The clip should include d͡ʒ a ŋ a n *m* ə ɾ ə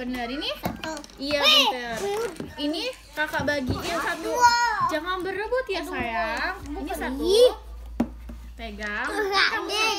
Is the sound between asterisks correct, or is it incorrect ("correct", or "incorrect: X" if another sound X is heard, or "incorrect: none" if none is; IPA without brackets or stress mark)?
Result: incorrect: b